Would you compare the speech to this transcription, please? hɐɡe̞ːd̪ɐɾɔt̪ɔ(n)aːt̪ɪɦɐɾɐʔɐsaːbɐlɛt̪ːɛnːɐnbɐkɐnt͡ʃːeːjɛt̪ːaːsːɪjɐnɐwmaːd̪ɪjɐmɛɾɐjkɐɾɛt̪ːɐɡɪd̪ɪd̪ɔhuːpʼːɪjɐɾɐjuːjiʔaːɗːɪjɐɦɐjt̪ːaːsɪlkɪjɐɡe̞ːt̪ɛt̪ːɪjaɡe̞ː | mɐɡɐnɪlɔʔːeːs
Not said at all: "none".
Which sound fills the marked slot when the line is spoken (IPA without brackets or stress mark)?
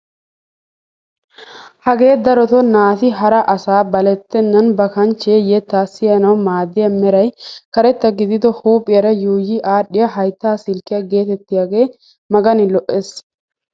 n